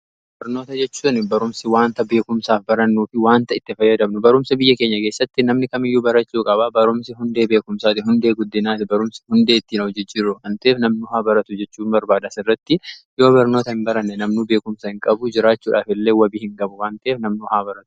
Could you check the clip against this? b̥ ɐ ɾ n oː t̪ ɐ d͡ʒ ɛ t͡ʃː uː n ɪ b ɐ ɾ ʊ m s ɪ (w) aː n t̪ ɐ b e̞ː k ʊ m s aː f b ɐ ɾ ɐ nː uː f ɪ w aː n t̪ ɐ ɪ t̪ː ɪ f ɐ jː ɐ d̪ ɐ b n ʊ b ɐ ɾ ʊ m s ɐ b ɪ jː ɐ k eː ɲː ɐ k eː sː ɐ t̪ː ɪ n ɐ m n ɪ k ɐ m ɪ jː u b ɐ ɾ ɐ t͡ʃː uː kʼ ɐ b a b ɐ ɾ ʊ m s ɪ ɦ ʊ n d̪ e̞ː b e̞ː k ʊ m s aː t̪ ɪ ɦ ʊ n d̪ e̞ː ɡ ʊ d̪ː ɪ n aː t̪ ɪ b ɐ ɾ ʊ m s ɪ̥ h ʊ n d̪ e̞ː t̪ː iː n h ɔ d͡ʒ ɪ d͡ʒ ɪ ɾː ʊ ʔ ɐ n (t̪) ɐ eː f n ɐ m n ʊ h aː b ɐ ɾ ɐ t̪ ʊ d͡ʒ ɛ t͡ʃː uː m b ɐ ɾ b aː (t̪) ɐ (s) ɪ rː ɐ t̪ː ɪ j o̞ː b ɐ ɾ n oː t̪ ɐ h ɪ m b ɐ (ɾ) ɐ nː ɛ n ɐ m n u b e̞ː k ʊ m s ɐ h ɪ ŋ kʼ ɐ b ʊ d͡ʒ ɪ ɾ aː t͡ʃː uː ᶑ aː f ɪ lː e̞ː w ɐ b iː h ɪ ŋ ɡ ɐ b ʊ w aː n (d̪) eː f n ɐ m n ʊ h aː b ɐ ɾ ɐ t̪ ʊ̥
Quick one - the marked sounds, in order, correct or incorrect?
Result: correct, correct, incorrect, correct, correct, incorrect

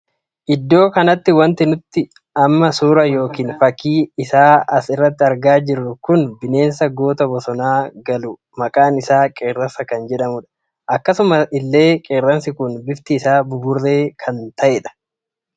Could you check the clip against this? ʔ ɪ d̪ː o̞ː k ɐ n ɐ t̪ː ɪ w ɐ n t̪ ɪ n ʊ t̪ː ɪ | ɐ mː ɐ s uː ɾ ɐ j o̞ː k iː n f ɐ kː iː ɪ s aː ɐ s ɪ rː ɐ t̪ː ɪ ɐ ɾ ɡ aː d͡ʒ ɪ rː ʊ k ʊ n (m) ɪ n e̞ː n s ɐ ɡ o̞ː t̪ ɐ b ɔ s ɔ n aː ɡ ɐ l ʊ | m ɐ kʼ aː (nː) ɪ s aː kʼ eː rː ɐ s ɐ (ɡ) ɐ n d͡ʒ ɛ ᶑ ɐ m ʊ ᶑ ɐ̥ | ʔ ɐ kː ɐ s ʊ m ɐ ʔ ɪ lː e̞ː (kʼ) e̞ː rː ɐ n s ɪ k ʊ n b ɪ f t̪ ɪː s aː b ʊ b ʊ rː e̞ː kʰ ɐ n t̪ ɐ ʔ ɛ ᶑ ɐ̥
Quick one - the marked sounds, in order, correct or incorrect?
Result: incorrect, incorrect, incorrect, correct

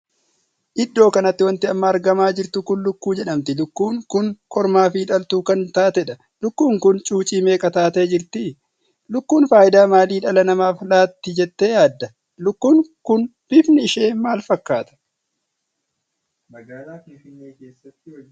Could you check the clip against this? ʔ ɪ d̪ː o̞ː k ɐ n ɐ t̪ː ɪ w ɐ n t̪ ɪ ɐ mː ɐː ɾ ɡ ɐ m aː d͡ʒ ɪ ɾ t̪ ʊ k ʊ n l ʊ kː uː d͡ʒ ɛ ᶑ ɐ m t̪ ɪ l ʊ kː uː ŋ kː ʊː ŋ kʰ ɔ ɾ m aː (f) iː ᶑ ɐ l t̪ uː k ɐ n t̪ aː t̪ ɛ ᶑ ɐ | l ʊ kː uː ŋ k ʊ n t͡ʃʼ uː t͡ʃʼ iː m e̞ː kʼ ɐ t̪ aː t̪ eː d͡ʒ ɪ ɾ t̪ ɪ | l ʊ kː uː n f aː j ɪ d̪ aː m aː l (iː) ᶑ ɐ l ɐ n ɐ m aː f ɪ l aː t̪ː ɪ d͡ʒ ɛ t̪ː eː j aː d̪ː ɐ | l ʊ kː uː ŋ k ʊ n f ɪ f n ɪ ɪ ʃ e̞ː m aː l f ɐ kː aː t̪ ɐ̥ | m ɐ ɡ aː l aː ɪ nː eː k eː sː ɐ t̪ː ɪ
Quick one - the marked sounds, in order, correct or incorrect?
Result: correct, correct

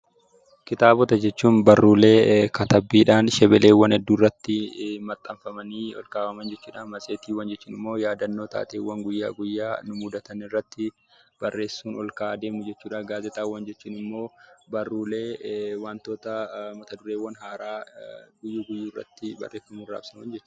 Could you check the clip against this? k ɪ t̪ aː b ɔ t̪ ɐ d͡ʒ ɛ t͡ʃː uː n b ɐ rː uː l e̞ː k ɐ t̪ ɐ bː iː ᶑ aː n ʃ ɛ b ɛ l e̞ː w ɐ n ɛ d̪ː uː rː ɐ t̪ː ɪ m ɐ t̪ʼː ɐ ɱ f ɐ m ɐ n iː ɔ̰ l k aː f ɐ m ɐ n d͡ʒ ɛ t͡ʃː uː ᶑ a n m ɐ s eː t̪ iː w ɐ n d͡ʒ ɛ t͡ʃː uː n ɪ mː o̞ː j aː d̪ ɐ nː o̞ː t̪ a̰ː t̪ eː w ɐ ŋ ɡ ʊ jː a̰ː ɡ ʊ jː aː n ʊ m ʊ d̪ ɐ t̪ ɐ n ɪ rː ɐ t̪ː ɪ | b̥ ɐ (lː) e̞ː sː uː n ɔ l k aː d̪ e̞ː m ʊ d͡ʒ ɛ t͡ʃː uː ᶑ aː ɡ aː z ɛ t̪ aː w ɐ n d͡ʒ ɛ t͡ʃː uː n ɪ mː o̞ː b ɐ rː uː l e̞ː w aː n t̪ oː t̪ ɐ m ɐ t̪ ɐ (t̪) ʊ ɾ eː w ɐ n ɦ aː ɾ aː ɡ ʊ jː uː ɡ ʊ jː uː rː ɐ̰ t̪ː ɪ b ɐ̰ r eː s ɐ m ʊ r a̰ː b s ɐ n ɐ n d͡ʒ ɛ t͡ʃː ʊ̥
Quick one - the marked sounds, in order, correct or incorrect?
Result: incorrect, incorrect

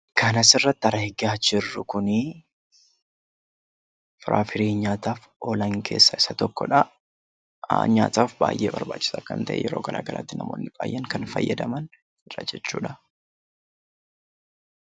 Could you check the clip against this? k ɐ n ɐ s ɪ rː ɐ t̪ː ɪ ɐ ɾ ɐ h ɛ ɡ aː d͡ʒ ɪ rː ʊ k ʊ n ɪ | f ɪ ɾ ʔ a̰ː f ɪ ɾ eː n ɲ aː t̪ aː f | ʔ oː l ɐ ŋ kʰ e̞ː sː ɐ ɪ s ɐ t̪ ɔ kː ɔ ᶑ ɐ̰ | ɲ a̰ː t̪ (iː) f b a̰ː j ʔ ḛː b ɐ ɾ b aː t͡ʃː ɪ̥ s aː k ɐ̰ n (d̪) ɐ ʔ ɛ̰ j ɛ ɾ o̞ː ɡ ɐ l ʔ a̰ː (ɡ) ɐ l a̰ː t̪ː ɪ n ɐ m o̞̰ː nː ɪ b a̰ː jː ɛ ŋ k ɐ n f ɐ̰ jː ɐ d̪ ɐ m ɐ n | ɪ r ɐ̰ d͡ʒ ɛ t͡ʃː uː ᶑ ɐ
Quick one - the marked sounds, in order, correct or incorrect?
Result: incorrect, incorrect, correct

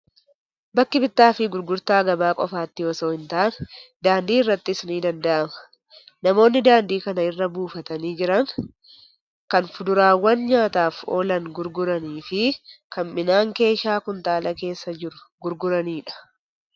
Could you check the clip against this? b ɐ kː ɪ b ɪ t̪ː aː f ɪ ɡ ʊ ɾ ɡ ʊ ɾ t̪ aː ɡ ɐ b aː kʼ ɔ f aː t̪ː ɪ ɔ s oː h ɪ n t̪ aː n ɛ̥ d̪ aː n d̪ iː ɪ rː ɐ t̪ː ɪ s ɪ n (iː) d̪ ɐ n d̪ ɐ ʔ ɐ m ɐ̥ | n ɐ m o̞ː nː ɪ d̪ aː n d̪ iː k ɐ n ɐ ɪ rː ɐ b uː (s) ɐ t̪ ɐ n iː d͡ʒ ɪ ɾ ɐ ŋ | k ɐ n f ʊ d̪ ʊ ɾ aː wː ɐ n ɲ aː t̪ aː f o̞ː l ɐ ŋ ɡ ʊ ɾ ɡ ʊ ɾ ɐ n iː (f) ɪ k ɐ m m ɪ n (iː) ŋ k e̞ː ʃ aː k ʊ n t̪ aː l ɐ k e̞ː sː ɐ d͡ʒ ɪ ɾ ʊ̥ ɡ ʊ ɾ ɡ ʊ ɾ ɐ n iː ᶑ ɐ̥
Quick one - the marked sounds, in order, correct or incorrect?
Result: correct, incorrect, correct, incorrect

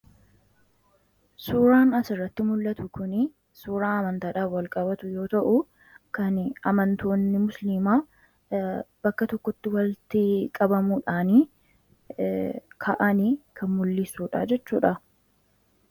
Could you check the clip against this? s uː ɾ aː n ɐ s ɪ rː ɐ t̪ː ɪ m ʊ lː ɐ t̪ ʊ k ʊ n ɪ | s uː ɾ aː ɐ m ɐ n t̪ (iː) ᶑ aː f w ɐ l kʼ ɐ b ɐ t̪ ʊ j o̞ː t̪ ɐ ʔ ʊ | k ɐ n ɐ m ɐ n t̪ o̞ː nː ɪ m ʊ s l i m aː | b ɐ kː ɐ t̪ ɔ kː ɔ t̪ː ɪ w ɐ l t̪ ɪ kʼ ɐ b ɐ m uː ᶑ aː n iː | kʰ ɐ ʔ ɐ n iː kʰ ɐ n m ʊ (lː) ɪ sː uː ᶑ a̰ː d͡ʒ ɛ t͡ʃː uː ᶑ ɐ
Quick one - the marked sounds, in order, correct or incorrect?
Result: incorrect, correct

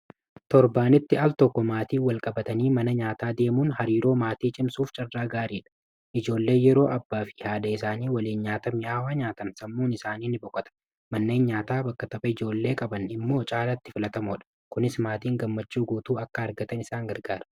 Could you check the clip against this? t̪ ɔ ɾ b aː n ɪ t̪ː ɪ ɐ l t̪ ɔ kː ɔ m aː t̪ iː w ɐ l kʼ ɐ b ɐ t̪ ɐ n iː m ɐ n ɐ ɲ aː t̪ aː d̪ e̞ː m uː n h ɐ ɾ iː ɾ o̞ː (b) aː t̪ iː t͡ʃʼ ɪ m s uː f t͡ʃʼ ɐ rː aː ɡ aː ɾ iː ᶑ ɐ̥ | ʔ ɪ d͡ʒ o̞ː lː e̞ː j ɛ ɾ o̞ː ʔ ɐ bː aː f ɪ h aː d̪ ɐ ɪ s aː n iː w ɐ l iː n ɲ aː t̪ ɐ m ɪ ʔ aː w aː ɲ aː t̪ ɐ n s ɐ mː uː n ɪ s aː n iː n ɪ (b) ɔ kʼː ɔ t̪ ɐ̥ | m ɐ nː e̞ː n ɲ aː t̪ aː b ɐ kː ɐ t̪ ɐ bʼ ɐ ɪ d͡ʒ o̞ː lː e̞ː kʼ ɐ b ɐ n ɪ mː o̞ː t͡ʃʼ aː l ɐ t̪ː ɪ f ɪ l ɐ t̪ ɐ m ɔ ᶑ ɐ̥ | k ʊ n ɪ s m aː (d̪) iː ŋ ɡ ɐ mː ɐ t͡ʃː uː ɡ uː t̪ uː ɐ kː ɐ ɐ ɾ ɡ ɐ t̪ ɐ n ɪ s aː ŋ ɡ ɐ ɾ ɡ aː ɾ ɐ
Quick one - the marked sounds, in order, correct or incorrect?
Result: incorrect, correct, incorrect

